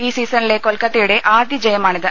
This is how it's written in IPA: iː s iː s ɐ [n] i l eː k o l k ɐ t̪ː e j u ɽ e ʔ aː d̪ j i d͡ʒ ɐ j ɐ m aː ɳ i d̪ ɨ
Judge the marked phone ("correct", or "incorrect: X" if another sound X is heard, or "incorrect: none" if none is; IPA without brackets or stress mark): correct